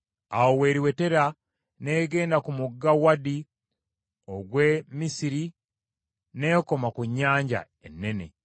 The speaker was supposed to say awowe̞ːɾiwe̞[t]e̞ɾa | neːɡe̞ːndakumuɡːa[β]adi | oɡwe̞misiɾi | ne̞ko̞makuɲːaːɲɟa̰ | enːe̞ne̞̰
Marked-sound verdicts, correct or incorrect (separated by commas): correct, incorrect